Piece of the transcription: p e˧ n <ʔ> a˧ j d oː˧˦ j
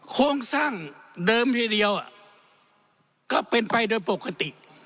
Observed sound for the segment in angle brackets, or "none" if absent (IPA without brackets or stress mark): p